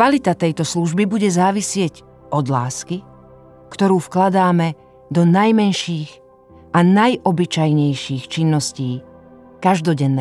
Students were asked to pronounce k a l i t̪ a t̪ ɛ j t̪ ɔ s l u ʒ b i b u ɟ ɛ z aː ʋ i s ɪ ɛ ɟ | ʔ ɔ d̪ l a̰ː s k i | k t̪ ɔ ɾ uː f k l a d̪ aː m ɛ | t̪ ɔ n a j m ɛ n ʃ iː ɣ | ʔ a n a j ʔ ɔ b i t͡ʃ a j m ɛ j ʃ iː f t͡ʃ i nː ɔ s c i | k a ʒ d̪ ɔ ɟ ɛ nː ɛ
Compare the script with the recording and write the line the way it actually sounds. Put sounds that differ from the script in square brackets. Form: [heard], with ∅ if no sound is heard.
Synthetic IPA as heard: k a l i t̪ a t̪ ɛ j t̪ ɔ s l u ʒ b i b u ɟ ɛ z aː ʋ i s ɪ ɛ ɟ | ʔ ɔ d̪ l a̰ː s k i | k t̪ ɔ ɾ uː f k l a d̪ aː m ɛ | [d̪] ɔ n a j m ɛ n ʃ iː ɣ | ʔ a n a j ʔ ɔ b i t͡ʃ a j [ɲ] ɛ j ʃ iː [x] t͡ʃ i nː ɔ s c [iː] | k a ʒ d̪ ɔ ɟ ɛ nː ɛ